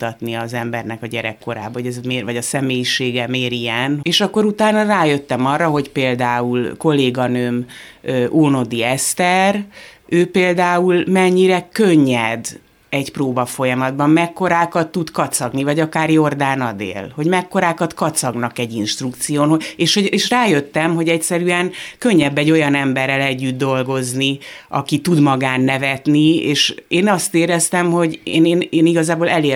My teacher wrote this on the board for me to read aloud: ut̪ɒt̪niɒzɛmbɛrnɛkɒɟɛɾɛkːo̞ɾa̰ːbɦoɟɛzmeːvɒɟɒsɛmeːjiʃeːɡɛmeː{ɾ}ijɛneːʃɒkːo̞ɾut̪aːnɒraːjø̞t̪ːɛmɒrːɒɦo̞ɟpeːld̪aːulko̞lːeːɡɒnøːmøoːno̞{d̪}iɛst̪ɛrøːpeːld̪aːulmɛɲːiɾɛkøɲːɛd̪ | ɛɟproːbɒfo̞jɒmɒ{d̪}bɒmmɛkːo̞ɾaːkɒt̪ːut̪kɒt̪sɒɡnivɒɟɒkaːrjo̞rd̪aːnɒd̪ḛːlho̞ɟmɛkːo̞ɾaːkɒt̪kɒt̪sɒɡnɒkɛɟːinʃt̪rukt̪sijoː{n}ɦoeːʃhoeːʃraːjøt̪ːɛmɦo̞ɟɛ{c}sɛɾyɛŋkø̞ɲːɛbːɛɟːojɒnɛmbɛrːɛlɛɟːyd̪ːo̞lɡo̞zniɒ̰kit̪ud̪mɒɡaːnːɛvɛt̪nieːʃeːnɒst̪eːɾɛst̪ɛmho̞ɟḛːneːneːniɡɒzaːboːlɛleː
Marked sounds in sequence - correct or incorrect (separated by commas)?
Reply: correct, correct, correct, correct, correct